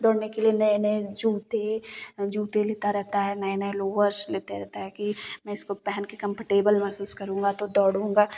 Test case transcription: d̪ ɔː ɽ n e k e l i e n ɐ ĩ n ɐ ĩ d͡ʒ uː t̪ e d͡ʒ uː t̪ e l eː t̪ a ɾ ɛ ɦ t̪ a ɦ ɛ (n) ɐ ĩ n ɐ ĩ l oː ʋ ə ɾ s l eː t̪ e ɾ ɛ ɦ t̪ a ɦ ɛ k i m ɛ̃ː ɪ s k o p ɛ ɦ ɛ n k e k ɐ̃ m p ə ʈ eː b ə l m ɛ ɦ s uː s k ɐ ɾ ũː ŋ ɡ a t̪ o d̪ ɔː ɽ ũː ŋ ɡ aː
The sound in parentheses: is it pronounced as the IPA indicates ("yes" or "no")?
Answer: yes